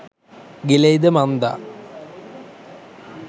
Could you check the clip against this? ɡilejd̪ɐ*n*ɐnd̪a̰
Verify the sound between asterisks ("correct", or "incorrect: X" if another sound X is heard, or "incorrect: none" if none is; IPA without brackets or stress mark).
incorrect: m